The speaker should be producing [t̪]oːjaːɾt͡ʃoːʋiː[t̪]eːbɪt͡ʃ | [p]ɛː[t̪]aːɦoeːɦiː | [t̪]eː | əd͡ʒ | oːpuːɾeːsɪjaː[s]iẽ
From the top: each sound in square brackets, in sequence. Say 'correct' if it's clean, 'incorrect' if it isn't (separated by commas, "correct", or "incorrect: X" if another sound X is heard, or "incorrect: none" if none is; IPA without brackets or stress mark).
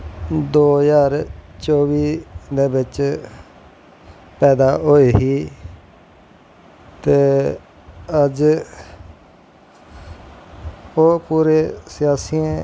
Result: incorrect: d̪, incorrect: d̪, correct, incorrect: d̪, correct, correct